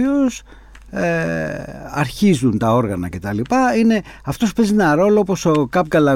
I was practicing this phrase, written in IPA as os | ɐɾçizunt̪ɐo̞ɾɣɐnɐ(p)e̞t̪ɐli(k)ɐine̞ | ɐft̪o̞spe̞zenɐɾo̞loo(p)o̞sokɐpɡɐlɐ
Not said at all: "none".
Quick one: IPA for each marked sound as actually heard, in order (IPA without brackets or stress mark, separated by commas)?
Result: c, p, p